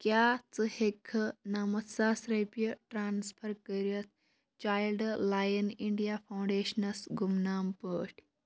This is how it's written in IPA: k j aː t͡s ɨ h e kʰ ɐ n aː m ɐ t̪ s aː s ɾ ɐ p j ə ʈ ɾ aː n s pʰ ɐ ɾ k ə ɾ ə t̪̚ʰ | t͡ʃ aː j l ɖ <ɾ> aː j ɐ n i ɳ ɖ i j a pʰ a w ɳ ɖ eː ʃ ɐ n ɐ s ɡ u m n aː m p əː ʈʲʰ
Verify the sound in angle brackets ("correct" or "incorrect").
incorrect